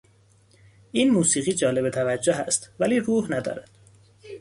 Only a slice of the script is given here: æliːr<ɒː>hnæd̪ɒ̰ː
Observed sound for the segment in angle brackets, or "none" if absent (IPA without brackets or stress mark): uː